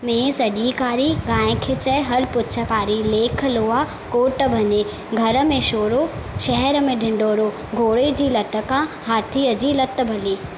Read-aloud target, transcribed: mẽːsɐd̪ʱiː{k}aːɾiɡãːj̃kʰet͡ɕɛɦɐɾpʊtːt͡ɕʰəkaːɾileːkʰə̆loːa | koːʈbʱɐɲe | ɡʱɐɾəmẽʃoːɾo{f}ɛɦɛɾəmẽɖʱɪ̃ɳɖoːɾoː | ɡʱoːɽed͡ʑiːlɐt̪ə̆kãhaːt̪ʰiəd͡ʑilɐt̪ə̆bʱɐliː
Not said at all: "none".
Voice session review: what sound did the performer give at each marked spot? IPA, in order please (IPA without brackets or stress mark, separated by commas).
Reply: k, ʃ